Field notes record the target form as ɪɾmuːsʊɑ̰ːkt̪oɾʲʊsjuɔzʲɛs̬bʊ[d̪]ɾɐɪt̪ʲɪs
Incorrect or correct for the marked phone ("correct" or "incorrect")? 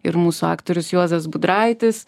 correct